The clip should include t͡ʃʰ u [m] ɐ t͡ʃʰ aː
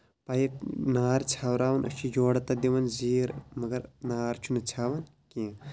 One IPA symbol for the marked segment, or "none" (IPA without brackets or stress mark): n